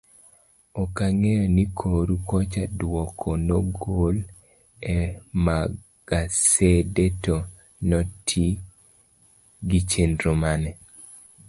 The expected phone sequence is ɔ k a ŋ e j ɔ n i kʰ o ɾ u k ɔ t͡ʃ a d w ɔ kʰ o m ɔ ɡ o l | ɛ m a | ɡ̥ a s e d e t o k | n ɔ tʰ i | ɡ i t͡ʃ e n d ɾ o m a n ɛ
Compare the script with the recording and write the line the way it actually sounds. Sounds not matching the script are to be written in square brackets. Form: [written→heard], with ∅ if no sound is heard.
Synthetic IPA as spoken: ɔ k a ŋ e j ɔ n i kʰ o ɾ u k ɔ t͡ʃ a d w ɔ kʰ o [m→n] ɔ ɡ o l | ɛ m a | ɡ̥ a s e d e t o [k→∅] | n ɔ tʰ i | ɡ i t͡ʃ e n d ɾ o m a n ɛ